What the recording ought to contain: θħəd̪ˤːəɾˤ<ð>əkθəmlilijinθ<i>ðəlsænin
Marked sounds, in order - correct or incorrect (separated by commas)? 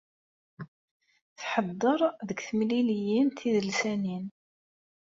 correct, correct